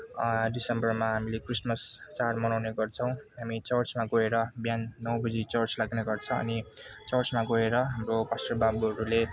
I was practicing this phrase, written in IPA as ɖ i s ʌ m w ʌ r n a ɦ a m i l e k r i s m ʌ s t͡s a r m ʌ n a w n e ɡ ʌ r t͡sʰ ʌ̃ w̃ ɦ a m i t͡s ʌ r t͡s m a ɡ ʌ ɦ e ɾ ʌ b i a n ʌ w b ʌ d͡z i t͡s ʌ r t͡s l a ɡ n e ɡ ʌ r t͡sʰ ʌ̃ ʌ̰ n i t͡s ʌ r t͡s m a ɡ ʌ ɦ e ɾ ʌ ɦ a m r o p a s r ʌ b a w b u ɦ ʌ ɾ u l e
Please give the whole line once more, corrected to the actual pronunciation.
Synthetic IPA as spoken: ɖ i s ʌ m b ʌ r m a ɦ a m i l e k r i s m ʌ s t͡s a r m ʌ n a w n e ɡ ʌ r t͡sʰ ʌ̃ w̃ ɦ a m i t͡s ʌ r t͡s m a ɡ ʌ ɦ e ɾ ʌ b j a nː ʌ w b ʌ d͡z i t͡s ʌ r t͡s l a ɡ n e ɡ ʌ r t͡sʰ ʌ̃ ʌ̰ n i t͡s ʌ r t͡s m a ɡ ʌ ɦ e ɾ ʌ ɦ a m r o p a s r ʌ b a b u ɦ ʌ ɾ u l e

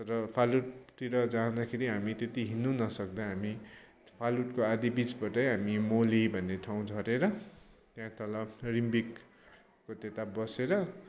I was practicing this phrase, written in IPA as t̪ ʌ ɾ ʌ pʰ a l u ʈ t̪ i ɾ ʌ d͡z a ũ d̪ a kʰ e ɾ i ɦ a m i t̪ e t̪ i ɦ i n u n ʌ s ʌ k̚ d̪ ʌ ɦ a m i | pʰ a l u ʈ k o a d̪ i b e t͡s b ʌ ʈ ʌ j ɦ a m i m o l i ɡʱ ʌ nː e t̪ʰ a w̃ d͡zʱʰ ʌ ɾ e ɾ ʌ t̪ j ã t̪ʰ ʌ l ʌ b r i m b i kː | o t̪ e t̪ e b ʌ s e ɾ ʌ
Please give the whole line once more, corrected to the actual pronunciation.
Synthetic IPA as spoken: t̪ ʌ ɾ ʌ pʰ a l u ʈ t̪ i ɾ ʌ d͡z a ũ d̪ a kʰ e ɾ i ɦ a m i t̪ e t̪ i ɦ i n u n ʌ s ʌ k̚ d̪ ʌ ɦ a m i | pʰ a l u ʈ k o a d̪ i b i t͡s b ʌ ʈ ʌ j ɦ a m i m o l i bʱ ʌ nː e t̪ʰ a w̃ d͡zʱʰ ʌ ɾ e ɾ ʌ t̪ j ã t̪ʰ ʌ l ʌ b r i m b i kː | o t̪ e t̪ a b ʌ s e ɾ ʌ

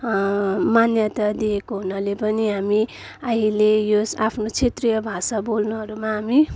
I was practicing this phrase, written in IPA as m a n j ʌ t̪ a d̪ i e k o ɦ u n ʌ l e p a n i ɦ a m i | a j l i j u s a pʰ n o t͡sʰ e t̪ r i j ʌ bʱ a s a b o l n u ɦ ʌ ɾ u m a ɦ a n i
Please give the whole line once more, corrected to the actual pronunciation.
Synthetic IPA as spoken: m a n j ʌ t̪ a d̪ i e k o ɦ u n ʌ l e p ʌ n i ɦ a m i | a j l e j o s a pʰ n o t͡sʰ e t̪ r i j ʌ bʱ a s a b o l n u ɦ ʌ ɾ u m a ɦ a m i

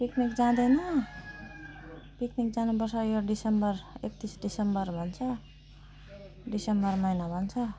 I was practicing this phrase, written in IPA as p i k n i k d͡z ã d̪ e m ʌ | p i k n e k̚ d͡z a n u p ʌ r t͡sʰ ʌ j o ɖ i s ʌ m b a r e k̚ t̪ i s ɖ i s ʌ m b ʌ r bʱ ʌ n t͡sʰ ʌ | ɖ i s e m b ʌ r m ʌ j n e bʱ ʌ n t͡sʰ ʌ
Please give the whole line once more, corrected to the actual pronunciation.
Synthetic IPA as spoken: p i k n i k d͡z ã d̪ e n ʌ | p i k n i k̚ d͡z a n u p ʌ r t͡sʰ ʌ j o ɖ i s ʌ m b ʌ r e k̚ t̪ i s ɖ i s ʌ m b ʌ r bʱ ʌ n t͡sʰ ʌ | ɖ i s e m b ʌ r m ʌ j n a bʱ ʌ n t͡sʰ ʌ

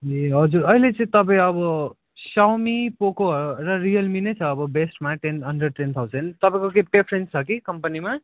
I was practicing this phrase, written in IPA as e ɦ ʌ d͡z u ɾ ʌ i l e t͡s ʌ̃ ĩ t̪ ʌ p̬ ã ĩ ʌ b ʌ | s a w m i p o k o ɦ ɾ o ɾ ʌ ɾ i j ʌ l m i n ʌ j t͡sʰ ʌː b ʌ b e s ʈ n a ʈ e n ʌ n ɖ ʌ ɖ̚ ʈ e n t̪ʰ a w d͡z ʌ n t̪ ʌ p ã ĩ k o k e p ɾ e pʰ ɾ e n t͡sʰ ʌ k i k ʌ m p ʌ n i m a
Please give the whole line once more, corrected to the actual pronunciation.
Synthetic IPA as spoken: e ɦ ʌ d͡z u ɾ ʌ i l e t͡s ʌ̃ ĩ t̪ ʌ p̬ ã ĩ ʌ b ʌ | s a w m i p o k o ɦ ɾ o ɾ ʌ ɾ i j ʌ l m i n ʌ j t͡sʰ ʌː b ʌ b e s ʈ m a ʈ e n ʌ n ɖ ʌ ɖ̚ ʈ e n t̪ʰ a w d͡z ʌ n t̪ ʌ p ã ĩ k o k e p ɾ e pʰ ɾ e n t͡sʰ ʌ k i k ʌ m p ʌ n i m a

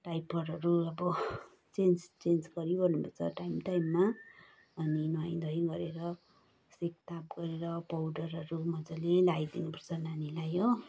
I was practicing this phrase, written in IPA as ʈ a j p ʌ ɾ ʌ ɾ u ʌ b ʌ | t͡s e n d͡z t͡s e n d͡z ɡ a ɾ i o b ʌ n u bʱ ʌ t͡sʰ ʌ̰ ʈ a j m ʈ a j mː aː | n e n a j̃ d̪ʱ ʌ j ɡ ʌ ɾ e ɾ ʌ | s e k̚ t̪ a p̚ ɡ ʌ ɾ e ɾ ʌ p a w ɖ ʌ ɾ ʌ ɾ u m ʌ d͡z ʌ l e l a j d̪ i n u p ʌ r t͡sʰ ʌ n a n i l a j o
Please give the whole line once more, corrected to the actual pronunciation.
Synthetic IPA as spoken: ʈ a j p ʌ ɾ ʌ ɾ u ʌ b ʌ | t͡s e n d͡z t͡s e n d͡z ɡ ʌ ɾ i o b ʌ n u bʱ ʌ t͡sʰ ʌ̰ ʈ a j m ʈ a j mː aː | n i n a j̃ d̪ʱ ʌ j ɡ ʌ ɾ e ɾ ʌ | s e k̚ t̪ a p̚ ɡ ʌ ɾ e ɾ ʌ p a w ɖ ʌ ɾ ʌ ɾ u m ʌ d͡z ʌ l e l a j d̪ i n u p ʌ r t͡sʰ ʌ n a n i l a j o

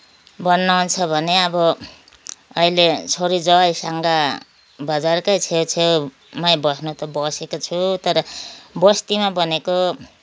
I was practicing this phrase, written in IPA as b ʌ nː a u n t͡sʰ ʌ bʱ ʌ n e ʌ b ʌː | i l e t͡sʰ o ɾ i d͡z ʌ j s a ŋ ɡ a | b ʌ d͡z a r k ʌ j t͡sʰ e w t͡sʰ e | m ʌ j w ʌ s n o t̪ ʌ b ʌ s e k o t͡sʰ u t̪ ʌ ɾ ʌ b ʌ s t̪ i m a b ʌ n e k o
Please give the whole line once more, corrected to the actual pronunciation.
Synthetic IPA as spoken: b ʌ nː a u n t͡sʰ ʌ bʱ ʌ n e ʌ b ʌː | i l e t͡sʰ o ɾ i d͡z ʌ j s a ŋ ɡ a | b ʌ d͡z a r k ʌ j t͡sʰ e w t͡sʰ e | m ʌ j b ʌ s n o t̪ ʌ b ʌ s e k o t͡sʰ u t̪ ʌ ɾ ʌ b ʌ s t̪ i m a b ʌ n e k o

